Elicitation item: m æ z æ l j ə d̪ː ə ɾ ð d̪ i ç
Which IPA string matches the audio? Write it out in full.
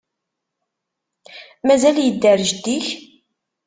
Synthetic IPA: m æ z æ l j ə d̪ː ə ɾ ʒ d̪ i ç